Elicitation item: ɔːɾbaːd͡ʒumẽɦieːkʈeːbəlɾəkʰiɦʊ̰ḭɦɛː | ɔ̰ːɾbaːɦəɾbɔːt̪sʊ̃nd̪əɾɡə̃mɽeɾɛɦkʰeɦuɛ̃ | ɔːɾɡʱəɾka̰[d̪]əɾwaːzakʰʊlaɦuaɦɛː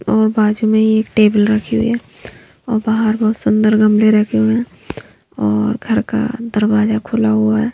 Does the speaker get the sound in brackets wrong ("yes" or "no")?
no